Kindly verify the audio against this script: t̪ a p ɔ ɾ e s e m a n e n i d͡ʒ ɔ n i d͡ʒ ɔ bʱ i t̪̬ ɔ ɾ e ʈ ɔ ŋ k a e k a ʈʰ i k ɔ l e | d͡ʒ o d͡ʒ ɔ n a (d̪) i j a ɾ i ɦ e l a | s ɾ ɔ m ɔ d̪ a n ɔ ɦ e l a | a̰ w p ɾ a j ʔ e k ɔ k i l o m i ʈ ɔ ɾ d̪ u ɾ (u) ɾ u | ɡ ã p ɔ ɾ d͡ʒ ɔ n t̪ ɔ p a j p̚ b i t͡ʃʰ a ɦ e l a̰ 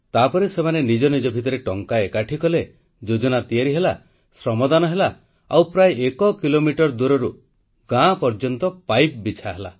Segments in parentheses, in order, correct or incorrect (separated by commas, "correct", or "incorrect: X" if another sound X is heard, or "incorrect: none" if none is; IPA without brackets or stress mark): incorrect: t̪, incorrect: ɔ